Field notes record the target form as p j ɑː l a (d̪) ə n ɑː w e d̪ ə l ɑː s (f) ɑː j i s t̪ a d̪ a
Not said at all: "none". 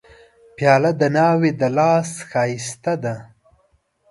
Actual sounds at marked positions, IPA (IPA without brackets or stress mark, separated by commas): d̪, x